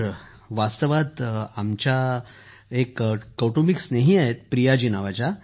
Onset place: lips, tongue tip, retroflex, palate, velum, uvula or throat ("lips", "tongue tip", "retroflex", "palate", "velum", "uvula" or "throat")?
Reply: lips